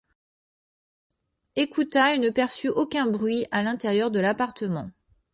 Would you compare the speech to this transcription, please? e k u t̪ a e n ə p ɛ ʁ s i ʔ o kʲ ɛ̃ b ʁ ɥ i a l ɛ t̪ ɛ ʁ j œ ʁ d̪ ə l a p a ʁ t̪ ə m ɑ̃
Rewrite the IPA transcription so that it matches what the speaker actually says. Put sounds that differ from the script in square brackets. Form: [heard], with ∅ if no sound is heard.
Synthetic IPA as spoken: e k u t̪ a e n ə p ɛ ʁ s [y] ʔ o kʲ ɛ̃ b ʁ ɥ i a l [ɛ̃] t̪ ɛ ʁ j œ ʁ d̪ ə l a p a ʁ t̪ ə m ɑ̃

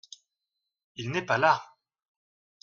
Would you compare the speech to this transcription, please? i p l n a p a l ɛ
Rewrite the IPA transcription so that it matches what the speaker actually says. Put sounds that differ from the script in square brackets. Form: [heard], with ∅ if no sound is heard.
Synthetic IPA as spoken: i [∅] l n [ɛ] p a l [a]

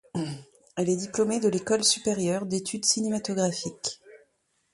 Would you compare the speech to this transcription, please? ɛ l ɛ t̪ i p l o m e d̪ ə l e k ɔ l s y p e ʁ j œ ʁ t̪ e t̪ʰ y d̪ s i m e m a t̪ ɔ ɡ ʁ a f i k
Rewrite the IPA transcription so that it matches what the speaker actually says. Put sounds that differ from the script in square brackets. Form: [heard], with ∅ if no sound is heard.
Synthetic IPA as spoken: ɛ l ɛ [d̪] i p l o m e d̪ ə l e k ɔ l s y p e ʁ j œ ʁ [d̪] e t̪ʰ y d̪ s i [n] e m a t̪ ɔ ɡ ʁ a f i k

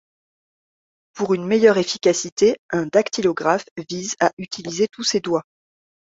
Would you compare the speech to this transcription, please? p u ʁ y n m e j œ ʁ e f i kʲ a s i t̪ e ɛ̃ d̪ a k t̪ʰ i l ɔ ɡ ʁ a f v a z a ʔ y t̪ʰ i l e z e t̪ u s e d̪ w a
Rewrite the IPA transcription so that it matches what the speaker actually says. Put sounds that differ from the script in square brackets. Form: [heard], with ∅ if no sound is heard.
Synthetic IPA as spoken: p u ʁ y n m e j œ ʁ e f i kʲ a s i t̪ e ɛ̃ d̪ a k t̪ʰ i l ɔ ɡ ʁ a f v [i] z a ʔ y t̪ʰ i l [i] z e t̪ u s e d̪ w a

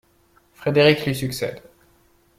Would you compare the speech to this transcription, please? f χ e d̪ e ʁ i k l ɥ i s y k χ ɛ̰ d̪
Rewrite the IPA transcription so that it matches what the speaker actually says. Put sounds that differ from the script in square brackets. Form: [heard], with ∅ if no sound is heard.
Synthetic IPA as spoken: f χ e d̪ e ʁ i k l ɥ i s y k [s] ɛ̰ d̪

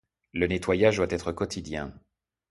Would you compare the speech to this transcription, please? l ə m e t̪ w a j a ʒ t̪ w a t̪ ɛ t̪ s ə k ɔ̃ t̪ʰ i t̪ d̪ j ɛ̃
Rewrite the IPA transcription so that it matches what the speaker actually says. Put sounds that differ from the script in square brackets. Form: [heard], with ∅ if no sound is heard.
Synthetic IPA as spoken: l ə [n] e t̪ w a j a ʒ [d̪] w a t̪ ɛ t̪ [χ] ə k [ɔ] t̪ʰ i [∅] d̪ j ɛ̃

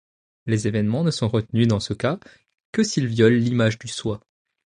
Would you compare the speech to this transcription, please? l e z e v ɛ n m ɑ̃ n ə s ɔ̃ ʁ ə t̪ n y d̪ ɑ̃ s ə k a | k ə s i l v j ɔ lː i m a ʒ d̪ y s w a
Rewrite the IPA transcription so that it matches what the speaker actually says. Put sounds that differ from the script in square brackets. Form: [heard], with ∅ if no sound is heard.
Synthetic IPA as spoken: l e z e v ɛ n m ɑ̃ n ə s ɔ̃ ʁ ə t̪ n y d̪ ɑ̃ s ə k a | k ə s i l v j ɔ lː i m a ʒ d̪ y s w a

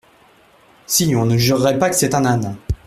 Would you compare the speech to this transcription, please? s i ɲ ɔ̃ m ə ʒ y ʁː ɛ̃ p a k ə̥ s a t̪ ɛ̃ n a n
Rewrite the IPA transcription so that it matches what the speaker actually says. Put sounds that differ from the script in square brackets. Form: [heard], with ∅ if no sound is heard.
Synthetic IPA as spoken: s i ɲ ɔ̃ [n] ə ʒ y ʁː [ɛ] p a k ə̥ s [ɛ] t̪ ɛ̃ n a n

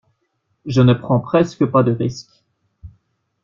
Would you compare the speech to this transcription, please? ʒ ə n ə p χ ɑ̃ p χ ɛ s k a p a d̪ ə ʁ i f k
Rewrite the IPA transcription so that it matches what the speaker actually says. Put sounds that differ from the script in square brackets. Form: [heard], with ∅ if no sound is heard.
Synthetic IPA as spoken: ʒ ə n ə p χ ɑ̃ p χ ɛ s k [ə] p a d̪ ə ʁ i [s] k

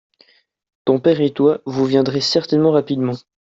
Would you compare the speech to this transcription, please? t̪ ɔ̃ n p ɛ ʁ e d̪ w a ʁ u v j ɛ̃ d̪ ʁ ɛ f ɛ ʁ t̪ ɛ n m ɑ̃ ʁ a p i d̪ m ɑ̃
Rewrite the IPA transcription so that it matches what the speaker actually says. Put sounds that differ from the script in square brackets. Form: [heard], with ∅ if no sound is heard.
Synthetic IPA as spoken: t̪ ɔ̃ [∅] p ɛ ʁ e [t̪] w a [v] u v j ɛ̃ d̪ ʁ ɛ [s] ɛ ʁ t̪ ɛ n m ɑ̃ ʁ a p i d̪ m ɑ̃

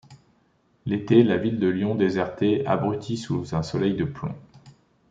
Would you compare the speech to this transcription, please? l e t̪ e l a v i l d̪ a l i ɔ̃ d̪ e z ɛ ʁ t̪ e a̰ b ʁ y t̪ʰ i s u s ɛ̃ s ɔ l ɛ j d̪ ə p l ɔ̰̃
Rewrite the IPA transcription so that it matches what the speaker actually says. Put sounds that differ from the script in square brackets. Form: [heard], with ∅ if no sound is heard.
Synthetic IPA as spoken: l e t̪ e l a v i l d̪ [ə] l [j] ɔ̃ d̪ e z ɛ ʁ t̪ e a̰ b ʁ y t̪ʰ i s u [z] ɛ̃ s ɔ l ɛ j d̪ ə p l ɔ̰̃

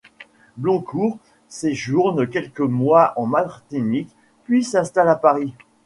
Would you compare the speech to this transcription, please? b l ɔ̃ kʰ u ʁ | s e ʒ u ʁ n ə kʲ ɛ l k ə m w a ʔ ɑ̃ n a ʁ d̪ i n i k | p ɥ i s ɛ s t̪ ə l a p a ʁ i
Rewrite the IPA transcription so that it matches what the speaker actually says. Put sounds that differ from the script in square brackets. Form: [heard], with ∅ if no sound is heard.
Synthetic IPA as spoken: b l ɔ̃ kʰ u ʁ | s e ʒ u ʁ n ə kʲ ɛ l k ə m w a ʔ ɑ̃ [m] a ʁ [t̪] i n i k | p ɥ i s [ɛ̃] s t̪ [a] l a p a ʁ i

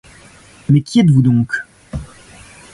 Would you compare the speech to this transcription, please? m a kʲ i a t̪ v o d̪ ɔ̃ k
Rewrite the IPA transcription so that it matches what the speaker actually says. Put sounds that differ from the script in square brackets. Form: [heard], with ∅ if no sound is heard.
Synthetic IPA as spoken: m [ɛ] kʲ i [ɛ] t̪ v [u] d̪ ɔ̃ k

